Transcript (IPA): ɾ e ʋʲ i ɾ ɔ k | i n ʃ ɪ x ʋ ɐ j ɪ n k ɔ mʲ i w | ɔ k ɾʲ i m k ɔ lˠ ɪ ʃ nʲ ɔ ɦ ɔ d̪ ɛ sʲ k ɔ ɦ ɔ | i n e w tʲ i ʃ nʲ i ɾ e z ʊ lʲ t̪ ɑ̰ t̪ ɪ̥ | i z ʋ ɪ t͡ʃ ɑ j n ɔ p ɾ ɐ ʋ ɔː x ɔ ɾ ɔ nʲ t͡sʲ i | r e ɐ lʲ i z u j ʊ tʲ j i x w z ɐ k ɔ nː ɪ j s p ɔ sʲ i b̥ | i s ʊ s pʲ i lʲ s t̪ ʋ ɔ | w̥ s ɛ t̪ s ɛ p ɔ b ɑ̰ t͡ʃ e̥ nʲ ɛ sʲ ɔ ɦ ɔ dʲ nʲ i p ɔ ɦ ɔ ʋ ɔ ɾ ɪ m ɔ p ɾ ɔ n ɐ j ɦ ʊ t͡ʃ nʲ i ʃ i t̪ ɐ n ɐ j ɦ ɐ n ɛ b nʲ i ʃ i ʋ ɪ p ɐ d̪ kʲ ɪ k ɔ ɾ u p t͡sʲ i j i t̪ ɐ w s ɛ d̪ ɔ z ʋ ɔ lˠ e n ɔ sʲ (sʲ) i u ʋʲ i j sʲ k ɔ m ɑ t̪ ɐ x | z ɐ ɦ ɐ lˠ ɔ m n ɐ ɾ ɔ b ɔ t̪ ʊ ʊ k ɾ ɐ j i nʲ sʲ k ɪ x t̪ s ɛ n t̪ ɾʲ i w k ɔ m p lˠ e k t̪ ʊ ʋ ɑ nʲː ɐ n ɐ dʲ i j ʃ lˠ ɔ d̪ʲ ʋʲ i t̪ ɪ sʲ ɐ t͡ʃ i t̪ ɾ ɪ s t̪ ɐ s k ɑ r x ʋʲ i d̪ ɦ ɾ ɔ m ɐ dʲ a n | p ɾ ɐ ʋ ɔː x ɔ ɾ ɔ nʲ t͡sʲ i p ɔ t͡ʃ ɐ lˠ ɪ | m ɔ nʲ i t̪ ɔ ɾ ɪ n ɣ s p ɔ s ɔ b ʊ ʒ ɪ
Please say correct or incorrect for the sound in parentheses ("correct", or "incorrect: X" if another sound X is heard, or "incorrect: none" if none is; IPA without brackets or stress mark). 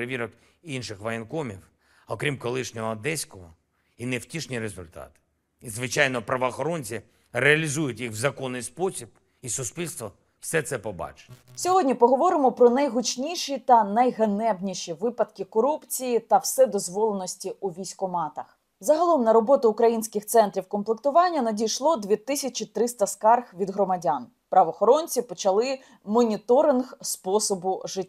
incorrect: tʲ